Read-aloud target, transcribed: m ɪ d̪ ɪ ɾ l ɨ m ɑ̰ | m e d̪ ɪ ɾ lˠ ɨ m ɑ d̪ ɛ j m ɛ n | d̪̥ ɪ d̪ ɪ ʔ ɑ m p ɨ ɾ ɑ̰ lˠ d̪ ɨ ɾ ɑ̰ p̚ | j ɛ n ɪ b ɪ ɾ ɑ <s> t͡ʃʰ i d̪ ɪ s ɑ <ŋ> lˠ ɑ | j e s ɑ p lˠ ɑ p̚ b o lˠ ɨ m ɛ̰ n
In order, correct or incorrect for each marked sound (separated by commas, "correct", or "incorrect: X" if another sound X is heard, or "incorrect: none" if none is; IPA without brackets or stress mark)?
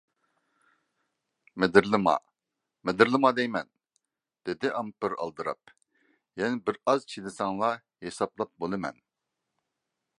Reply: incorrect: z, correct